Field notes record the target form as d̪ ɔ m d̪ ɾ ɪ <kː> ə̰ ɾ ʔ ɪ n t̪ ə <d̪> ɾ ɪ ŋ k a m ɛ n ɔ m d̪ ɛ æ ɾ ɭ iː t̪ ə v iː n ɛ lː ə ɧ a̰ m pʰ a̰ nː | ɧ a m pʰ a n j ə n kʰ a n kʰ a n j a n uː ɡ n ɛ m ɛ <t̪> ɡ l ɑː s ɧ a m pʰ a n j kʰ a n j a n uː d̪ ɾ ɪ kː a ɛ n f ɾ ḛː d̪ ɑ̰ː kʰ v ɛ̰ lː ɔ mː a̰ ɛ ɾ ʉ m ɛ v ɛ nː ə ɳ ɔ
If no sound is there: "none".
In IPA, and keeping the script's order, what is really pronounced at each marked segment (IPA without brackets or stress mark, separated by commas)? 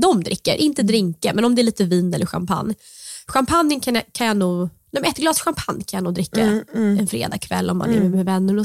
kː, d̪, t̪